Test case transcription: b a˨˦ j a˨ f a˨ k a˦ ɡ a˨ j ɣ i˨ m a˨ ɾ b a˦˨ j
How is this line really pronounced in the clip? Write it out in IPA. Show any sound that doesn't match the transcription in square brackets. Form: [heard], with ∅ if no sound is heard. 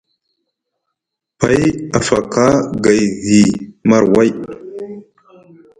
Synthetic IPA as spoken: [p] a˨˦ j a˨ f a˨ k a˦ ɡ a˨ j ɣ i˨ m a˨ ɾ [w] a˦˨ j